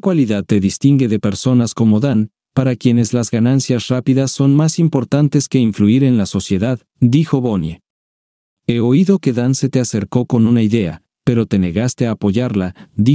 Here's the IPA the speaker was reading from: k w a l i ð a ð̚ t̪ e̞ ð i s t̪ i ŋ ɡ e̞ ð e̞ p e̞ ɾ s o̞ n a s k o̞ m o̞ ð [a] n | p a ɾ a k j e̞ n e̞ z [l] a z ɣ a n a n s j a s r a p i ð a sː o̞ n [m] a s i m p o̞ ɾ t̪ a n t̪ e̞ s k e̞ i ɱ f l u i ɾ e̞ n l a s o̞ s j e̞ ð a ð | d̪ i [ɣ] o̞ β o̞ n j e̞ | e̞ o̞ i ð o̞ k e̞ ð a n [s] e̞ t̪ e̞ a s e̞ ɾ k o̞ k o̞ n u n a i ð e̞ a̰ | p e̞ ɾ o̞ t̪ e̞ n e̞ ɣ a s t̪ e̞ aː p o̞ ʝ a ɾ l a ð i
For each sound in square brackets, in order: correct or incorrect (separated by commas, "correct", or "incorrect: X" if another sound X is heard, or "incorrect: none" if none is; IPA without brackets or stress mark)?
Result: correct, correct, correct, incorrect: x, correct